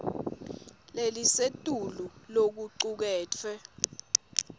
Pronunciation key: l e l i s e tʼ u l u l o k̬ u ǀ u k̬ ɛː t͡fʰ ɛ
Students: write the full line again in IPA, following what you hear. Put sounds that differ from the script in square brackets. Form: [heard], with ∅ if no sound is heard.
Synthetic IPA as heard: l e l i s e tʼ u l u l o k̬ u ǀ u k̬ ɛː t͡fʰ ɛ